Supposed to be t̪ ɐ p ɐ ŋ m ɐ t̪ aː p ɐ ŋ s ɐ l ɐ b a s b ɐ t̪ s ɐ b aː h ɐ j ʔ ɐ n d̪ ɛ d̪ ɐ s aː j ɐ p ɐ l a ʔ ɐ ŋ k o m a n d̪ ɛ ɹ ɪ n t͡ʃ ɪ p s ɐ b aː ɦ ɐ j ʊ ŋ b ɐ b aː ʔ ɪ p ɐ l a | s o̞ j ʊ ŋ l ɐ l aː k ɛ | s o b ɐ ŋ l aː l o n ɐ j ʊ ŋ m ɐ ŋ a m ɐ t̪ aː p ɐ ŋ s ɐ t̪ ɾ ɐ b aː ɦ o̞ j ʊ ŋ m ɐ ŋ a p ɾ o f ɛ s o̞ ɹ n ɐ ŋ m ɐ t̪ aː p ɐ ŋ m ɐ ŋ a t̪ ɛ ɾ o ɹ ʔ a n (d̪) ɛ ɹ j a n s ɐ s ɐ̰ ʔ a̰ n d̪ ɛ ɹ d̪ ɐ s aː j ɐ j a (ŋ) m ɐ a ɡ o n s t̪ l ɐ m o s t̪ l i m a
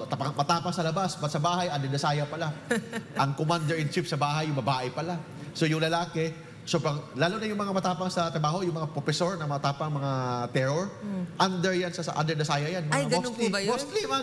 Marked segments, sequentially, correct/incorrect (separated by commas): correct, incorrect